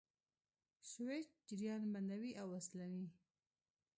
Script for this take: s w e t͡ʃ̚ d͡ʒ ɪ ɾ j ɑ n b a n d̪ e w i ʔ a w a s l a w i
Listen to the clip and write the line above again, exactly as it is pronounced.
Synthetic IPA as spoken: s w e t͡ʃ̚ d͡ʒ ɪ ɾ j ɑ n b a n d̪ a w i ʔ a w a s l a w i